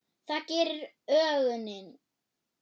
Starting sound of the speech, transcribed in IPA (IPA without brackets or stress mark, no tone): θ